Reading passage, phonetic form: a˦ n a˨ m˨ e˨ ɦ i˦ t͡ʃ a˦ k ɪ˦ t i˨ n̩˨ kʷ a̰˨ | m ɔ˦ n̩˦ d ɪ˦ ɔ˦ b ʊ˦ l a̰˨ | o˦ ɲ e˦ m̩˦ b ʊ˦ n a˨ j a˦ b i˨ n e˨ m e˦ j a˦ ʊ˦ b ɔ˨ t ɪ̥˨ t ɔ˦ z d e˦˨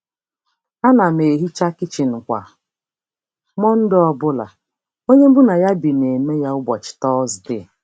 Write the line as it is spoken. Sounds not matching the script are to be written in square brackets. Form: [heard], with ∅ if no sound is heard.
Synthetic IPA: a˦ n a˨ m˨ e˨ ɦ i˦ t͡ʃ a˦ k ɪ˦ [t͡ʃ] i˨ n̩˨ kʷ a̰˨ | m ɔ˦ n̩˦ d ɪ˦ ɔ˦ b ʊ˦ l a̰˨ | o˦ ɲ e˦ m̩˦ b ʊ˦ n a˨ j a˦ b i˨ n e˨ m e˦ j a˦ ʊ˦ b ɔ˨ [t͡ʃ] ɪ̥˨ t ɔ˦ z d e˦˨